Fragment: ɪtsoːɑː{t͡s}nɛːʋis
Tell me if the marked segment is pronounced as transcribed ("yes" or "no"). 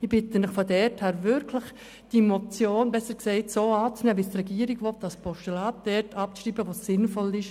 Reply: yes